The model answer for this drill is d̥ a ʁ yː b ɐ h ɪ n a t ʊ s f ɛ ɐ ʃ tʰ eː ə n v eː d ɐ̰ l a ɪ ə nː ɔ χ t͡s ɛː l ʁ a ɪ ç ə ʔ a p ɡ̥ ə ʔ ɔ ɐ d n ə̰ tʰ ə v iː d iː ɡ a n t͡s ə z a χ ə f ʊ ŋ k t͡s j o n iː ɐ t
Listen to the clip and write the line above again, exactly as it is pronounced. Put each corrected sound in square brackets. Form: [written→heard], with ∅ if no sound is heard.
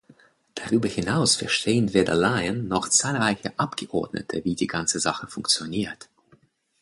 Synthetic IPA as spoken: d̥ a ʁ yː b ɐ h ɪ n a [t→∅] ʊ s f ɛ ɐ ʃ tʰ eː ə n v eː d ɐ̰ l a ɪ ə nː ɔ χ t͡s [ɛː→aː] l ʁ a ɪ ç ə ʔ a p ɡ̥ ə ʔ ɔ ɐ d n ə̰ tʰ ə v iː d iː ɡ a n t͡s ə z a χ ə f ʊ ŋ k t͡s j o n iː ɐ t